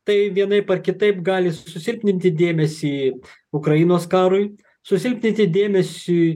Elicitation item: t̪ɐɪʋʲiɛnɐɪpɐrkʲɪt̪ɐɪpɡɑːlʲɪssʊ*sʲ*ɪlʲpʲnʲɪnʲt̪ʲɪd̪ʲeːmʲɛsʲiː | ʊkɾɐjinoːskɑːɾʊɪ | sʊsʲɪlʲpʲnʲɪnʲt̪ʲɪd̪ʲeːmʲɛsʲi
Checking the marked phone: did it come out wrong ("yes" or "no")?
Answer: no